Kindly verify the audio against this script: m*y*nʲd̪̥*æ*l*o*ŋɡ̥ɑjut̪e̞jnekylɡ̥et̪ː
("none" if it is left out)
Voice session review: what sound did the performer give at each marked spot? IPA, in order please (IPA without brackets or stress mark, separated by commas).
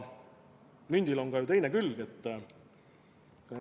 y, i, o